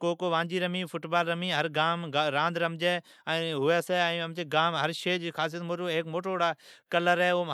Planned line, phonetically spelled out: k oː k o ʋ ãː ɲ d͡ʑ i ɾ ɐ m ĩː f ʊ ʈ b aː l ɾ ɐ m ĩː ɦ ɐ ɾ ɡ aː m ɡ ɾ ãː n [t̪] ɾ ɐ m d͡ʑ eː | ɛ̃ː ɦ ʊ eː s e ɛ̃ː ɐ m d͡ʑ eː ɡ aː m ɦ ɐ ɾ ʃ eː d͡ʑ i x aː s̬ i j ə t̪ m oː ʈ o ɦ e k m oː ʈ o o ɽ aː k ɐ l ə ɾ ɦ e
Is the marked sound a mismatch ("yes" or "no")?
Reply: yes